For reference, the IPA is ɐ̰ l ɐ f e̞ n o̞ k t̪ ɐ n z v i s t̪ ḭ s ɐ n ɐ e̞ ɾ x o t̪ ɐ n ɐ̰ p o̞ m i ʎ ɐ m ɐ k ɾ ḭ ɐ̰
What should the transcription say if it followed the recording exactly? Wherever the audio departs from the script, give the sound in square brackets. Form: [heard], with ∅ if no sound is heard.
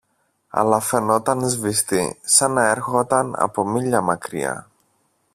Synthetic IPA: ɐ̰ l ɐ f e̞ n o̞ [∅] t̪ ɐ n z v i s t̪ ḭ s ɐ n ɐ e̞ ɾ x o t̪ ɐ n ɐ̰ p o̞ m i ʎ ɐ m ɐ k ɾ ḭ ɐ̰